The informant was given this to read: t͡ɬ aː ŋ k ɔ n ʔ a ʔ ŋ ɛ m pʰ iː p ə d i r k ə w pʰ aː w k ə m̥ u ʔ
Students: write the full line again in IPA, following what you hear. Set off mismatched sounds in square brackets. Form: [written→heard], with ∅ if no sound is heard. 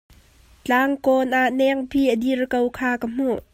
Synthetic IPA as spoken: t͡ɬ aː ŋ k ɔ n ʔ a ʔ [ŋ→n] ɛ [m→ŋ] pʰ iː [p→ʔ] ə d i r k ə w [pʰ→kʰ] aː [w→∅] k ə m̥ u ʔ